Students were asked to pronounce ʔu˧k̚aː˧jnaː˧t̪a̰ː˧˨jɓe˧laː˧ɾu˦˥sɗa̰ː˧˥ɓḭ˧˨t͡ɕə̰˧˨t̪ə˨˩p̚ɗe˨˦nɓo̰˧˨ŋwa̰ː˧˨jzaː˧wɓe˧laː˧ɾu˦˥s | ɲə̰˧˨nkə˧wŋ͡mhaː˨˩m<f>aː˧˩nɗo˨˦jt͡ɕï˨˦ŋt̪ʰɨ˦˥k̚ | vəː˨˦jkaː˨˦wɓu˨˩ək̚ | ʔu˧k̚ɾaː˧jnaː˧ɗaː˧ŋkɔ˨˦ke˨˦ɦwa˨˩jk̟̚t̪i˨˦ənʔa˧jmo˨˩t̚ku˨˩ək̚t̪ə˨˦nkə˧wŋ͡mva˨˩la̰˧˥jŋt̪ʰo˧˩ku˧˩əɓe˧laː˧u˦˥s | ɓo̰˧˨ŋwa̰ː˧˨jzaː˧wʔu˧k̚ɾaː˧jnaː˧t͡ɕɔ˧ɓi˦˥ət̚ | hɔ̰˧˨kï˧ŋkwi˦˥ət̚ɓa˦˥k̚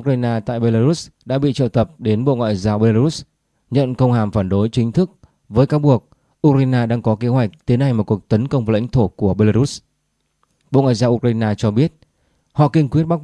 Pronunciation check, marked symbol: correct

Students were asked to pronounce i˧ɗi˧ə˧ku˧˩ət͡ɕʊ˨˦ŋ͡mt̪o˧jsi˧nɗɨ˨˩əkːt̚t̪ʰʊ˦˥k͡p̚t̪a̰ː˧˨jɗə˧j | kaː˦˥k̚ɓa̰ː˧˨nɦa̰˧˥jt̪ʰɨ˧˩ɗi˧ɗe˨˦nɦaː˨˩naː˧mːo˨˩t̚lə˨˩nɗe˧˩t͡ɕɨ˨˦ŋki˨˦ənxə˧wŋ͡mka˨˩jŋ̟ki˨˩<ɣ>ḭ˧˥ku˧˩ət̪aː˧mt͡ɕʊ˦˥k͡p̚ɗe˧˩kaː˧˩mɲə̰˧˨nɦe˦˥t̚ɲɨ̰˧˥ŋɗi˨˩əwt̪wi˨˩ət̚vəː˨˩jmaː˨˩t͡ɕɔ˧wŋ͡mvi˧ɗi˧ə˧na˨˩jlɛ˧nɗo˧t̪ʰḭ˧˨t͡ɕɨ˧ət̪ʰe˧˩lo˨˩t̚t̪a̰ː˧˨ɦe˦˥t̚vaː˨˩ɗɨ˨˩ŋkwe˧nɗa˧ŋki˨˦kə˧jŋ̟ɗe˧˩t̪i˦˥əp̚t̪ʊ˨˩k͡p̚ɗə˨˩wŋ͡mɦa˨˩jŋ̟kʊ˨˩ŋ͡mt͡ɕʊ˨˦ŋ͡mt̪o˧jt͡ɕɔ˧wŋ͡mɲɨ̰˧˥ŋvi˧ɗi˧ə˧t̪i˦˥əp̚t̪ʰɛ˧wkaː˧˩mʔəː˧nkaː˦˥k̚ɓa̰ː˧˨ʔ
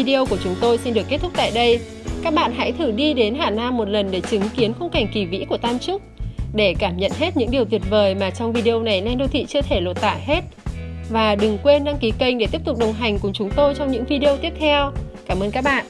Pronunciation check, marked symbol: incorrect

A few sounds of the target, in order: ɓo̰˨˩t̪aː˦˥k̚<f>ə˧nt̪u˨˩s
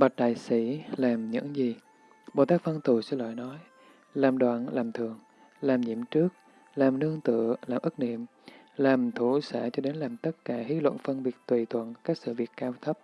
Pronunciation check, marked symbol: incorrect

